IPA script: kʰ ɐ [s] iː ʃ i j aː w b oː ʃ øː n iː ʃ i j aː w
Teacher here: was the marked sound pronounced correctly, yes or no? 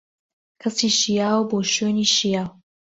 yes